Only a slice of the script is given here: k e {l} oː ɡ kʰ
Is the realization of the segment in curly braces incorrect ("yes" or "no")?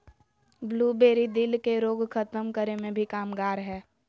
yes